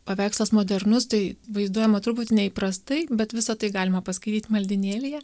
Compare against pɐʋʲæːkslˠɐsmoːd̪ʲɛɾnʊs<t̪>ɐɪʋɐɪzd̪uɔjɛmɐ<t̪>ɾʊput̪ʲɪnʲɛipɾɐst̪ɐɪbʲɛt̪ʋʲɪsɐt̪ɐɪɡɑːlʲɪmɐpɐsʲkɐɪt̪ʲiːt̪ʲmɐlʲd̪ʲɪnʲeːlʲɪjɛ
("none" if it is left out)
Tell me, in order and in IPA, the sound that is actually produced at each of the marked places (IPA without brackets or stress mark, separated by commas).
t̪, t̪